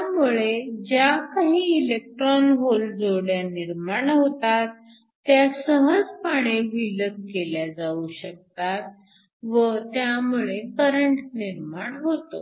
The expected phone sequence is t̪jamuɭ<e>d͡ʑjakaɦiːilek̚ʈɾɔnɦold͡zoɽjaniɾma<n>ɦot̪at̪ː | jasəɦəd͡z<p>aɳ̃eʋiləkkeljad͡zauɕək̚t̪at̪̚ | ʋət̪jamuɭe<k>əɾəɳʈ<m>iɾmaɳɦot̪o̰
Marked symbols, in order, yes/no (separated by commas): yes, no, yes, yes, no